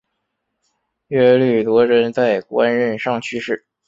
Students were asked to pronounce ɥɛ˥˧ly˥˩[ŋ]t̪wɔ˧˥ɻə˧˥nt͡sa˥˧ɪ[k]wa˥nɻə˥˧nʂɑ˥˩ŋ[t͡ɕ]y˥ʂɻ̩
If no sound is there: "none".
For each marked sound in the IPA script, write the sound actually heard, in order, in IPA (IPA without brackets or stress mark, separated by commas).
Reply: none, k, t͡ɕʰ